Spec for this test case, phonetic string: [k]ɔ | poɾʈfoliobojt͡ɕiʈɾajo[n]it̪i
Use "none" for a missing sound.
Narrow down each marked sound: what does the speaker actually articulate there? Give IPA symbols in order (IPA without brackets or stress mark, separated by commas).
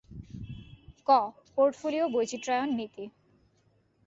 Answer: k, nː